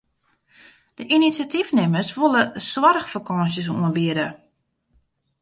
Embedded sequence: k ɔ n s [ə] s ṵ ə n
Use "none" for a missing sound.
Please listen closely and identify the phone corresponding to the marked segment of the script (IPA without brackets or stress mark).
ə